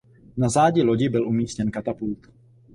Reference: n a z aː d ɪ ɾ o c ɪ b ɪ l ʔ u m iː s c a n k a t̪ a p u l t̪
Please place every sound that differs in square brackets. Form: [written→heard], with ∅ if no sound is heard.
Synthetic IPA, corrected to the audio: n a z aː [d→ɟ] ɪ [ɾ→l] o [c→ɟ] ɪ b ɪ l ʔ u m iː s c [a→ɛ] n k a t̪ a p u l t̪